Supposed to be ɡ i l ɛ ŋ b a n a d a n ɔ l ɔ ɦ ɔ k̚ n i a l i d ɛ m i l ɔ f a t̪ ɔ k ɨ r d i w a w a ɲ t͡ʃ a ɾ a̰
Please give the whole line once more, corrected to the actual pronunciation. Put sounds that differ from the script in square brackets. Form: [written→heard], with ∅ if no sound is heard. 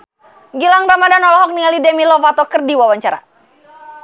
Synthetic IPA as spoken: ɡ i l [ɛ→a] ŋ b a [n→m] a d a n ɔ l ɔ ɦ ɔ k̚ n i a l i d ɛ m i l ɔ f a t̪ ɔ k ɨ r d i w a w a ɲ t͡ʃ a ɾ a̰